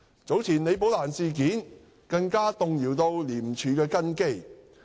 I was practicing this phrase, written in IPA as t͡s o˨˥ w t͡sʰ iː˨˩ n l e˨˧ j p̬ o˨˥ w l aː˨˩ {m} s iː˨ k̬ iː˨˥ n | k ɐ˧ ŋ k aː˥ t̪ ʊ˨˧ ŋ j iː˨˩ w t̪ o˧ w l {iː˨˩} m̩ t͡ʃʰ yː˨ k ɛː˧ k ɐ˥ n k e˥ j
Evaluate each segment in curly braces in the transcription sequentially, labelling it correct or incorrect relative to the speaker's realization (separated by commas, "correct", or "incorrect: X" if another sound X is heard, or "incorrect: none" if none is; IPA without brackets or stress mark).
incorrect: n, correct